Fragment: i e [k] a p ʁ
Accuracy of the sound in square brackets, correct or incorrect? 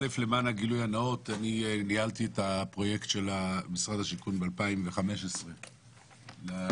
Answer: incorrect